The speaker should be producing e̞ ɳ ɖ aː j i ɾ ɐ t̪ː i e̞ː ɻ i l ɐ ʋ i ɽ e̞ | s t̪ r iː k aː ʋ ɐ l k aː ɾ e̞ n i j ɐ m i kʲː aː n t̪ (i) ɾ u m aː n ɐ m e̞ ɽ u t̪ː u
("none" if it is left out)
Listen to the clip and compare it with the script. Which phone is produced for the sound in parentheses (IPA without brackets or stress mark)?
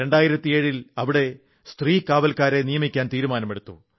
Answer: iː